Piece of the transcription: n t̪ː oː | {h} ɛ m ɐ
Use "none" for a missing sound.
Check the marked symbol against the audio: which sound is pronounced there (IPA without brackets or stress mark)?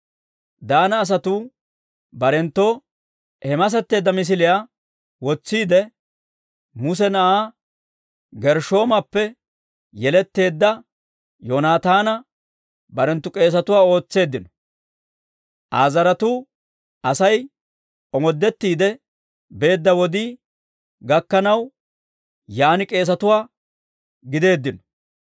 h